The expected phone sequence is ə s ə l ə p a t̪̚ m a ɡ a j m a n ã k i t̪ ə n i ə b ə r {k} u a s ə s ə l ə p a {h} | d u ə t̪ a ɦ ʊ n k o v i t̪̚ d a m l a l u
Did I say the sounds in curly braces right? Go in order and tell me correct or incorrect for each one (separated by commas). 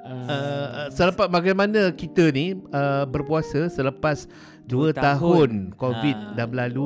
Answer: incorrect, incorrect